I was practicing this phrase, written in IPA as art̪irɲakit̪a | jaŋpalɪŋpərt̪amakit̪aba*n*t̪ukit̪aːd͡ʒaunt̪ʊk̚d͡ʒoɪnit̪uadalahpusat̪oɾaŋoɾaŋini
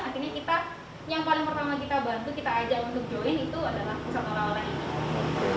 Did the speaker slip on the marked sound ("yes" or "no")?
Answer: no